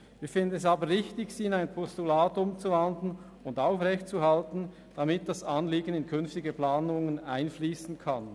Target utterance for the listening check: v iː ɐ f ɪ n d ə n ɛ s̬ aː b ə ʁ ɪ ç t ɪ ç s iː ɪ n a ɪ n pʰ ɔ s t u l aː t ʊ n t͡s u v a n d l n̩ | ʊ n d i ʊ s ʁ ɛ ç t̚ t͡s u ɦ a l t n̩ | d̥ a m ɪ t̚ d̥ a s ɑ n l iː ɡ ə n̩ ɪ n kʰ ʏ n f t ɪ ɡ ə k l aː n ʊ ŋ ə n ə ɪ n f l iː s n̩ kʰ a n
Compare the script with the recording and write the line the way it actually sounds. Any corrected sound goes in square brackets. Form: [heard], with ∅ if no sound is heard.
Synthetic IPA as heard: v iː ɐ f ɪ n d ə n ɛ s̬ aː b ə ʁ ɪ ç t ɪ ç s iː ɪ n a ɪ n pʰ ɔ s t u l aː t ʊ [m] t͡s u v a n d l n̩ | ʊ n d [a] ʊ [f] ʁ ɛ ç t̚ t͡s u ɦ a l t n̩ | d̥ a m ɪ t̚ d̥ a s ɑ n l iː ɡ ə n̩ ɪ n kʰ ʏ n f t ɪ ɡ ə [p] l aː n ʊ ŋ ə n [a] ɪ n f l iː s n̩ kʰ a n